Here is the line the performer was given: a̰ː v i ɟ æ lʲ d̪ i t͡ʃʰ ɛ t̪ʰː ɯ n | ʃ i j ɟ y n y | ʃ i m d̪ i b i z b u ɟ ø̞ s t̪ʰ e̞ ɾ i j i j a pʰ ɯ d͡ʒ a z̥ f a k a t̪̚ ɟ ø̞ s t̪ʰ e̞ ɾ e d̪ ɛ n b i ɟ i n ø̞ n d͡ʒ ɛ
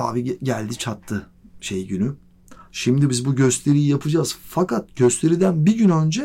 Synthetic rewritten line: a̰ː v i ɟ æ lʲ d̪ i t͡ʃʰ a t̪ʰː ɯ | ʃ e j ɟ y n y | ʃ i m d̪ i b i z b u ɟ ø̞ s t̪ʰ e̞ ɾ i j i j a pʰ ɯ d͡ʒ a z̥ f a k a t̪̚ ɟ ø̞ s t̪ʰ e̞ ɾ i d̪ æ n b i ɟ y n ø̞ n d͡ʒ ɛ